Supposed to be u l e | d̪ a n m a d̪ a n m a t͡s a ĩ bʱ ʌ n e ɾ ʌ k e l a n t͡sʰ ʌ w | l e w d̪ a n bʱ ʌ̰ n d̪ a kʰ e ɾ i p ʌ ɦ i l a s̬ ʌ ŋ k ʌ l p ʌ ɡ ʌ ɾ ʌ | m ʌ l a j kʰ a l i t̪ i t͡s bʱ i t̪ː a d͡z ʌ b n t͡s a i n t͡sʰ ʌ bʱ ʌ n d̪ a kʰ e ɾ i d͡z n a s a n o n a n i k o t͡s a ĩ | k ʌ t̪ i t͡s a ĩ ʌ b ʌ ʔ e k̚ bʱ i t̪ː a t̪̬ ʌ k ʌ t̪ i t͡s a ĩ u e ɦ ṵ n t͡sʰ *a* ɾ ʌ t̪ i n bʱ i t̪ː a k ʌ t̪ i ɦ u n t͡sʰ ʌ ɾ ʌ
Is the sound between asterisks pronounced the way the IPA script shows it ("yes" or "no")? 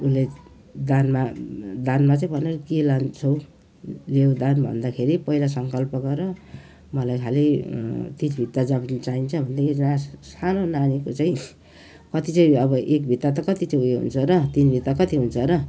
no